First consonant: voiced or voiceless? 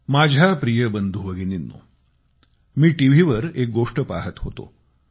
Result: voiced